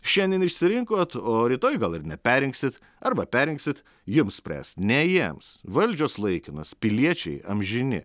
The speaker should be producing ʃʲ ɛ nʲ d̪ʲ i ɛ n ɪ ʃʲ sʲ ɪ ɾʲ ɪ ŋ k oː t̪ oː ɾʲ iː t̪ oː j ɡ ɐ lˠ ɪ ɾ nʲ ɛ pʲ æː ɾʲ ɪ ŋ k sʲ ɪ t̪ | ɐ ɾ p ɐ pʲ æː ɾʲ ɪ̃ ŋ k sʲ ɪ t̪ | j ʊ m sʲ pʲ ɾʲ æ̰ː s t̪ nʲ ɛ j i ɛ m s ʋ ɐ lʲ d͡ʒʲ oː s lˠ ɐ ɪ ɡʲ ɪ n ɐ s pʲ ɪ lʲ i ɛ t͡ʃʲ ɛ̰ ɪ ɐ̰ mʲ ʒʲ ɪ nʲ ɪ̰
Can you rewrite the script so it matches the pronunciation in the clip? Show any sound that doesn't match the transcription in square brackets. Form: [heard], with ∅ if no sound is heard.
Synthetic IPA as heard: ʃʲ ɛ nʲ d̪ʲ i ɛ n ɪ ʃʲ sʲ ɪ ɾʲ ɪ ŋ k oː t̪ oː ɾʲ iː t̪ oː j ɡ ɐ lˠ ɪ ɾ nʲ ɛ pʲ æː ɾʲ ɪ ŋ k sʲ ɪ t̪ | ɐ ɾ [b] ɐ pʲ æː ɾʲ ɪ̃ ŋ k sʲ ɪ t̪ | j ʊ m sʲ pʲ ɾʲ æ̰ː s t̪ nʲ ɛ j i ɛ m s ʋ ɐ lʲ d͡ʒʲ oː s lˠ ɐ ɪ [kʲ] ɪ n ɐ s pʲ ɪ lʲ i ɛ t͡ʃʲ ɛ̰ ɪ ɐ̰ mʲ ʒʲ ɪ nʲ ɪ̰